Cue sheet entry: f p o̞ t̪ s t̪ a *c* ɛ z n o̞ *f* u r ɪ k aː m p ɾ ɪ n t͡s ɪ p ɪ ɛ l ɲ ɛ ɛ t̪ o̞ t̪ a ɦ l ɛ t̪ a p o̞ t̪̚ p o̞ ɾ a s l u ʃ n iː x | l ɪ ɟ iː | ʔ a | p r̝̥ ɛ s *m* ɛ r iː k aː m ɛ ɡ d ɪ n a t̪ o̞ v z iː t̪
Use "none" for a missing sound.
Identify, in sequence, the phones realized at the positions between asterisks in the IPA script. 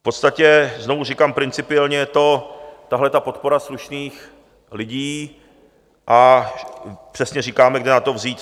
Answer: c, v, ɲ

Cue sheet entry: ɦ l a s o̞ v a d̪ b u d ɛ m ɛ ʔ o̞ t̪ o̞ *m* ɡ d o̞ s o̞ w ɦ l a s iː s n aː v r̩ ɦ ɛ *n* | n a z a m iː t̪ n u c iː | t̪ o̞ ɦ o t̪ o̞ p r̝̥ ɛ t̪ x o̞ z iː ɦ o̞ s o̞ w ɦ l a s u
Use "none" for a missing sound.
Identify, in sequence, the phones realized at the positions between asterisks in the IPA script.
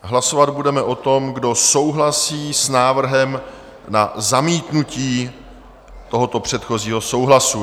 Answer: m, m

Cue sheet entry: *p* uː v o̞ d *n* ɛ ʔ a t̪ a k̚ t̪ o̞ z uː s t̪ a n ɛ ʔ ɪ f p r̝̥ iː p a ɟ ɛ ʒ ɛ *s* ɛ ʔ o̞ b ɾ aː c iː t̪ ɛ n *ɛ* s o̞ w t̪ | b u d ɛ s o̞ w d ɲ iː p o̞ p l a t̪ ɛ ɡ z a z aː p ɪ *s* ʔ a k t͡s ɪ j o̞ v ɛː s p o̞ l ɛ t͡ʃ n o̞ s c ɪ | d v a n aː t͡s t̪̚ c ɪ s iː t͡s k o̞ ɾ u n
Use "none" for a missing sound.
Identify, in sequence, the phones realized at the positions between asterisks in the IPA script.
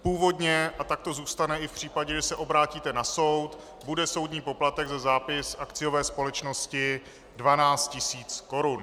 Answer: p, ɲ, s, a, s

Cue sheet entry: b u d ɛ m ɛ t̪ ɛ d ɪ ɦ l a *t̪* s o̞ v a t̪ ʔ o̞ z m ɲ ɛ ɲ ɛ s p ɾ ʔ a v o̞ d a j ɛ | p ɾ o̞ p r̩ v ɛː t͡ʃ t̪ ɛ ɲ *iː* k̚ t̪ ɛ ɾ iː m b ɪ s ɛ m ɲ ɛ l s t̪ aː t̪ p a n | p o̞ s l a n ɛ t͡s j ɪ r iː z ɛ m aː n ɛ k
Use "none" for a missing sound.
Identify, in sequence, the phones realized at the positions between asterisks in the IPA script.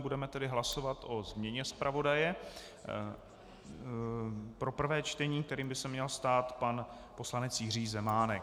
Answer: none, iː

